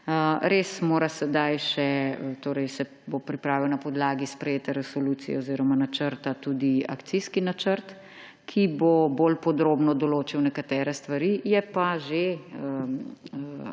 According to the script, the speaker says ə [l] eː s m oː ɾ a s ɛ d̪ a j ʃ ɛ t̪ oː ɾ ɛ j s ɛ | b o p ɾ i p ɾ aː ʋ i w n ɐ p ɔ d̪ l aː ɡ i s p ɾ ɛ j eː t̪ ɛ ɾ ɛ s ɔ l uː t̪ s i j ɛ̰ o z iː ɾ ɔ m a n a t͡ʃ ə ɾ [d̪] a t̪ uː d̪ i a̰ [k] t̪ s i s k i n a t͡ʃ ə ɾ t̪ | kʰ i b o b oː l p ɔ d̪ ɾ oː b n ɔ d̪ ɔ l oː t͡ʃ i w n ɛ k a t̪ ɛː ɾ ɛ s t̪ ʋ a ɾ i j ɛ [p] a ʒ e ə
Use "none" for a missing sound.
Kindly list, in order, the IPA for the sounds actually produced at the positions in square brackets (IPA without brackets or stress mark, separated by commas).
ɾ, t̪, k, p